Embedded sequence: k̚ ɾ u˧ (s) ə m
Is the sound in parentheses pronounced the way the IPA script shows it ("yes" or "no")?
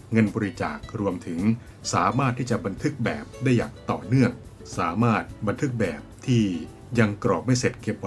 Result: no